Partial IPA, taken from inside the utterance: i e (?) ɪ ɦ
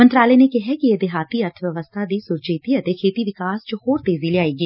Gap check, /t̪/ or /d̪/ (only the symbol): d̪